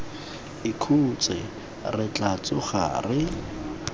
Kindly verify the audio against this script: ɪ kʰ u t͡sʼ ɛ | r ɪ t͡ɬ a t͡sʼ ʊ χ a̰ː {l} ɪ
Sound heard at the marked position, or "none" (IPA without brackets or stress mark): r